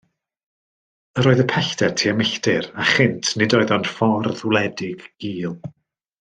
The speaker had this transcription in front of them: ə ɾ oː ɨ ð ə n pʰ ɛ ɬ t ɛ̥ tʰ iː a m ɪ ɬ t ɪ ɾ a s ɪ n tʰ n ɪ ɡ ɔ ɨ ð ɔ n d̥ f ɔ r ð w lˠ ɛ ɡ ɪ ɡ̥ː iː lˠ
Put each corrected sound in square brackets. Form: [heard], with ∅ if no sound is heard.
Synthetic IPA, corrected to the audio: ə ɾ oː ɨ ð ə [∅] pʰ ɛ ɬ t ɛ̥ tʰ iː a m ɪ ɬ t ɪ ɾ a [χ] ɪ n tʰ n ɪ [d] ɔ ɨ ð ɔ n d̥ f ɔ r ð w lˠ ɛ [d] ɪ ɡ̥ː iː lˠ